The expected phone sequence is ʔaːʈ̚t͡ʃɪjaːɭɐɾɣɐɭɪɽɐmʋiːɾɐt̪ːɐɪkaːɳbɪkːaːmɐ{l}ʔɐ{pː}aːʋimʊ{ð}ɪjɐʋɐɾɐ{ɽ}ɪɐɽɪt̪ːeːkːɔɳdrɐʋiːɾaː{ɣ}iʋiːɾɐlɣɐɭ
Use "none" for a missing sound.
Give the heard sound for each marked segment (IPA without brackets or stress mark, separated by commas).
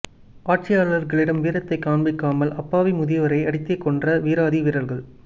l, pː, ð, none, ð